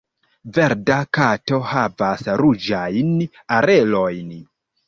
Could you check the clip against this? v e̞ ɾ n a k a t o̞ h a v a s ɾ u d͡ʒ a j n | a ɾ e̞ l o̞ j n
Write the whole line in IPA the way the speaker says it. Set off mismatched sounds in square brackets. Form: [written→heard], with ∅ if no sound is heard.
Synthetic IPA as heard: v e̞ ɾ [n→d] a k a t o̞ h a v a s ɾ u d͡ʒ a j n | a ɾ e̞ l o̞ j n